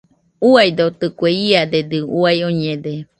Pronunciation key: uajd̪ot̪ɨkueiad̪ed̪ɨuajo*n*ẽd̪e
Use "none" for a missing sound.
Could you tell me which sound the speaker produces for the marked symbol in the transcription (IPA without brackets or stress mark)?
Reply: ɲ